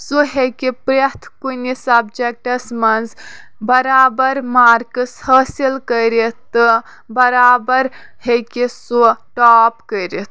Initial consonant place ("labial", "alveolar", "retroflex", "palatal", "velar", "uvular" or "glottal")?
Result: alveolar